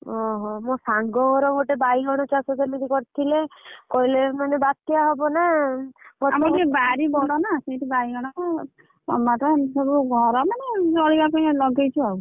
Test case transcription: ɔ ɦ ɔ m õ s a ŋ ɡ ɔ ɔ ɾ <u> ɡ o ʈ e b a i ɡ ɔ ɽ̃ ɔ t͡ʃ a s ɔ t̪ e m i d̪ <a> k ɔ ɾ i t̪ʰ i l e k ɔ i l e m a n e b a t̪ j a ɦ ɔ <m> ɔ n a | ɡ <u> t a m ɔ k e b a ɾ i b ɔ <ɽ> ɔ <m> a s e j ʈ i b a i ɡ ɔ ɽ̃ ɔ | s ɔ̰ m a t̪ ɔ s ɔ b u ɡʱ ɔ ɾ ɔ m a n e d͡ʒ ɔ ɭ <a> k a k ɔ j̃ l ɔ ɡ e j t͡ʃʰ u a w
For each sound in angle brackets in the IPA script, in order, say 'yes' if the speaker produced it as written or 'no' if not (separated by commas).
no, no, no, no, yes, no, no